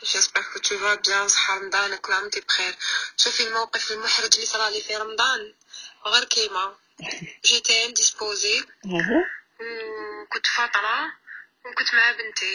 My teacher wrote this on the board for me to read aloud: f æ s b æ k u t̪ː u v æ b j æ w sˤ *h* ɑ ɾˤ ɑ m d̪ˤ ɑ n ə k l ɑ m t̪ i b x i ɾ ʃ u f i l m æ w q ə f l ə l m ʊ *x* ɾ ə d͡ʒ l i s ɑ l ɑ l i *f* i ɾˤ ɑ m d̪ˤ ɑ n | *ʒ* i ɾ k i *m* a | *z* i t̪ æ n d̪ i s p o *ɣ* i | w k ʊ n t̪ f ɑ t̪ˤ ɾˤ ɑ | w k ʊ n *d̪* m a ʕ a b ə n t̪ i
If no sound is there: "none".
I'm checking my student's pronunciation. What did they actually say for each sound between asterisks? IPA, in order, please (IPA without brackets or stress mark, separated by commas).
ħ, ħ, f, ɣ, m, ʒ, z, t̪